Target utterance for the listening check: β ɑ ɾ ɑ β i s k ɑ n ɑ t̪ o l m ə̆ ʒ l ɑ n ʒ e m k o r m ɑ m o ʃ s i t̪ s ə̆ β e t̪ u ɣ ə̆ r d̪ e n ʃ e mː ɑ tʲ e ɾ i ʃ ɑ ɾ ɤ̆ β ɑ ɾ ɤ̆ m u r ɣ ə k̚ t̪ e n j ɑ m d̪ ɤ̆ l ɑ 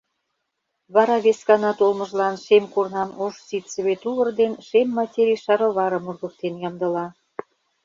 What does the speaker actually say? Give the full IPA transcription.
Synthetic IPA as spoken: β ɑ ɾ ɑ β e s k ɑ n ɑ t̪ o l m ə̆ ʒ l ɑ n ʃ e m k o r n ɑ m o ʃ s i t̪ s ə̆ β e t̪ u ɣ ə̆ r d̪ e n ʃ e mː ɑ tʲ e ɾ i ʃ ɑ ɾ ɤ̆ β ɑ ɾ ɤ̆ m u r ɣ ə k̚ t̪ e n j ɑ m d̪ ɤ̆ l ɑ